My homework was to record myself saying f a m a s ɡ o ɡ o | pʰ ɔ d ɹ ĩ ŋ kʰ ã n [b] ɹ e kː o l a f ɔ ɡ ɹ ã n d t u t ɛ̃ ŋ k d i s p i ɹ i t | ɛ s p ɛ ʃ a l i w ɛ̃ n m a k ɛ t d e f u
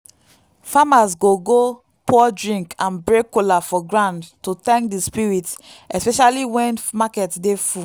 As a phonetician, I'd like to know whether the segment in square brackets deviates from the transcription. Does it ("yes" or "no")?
no